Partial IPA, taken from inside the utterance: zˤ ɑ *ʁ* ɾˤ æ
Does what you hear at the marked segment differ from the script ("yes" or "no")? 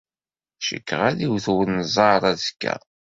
yes